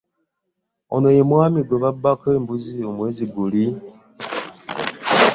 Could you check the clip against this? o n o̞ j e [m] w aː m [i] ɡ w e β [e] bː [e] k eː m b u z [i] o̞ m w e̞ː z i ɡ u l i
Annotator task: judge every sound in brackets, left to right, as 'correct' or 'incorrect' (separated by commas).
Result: correct, correct, incorrect, incorrect, correct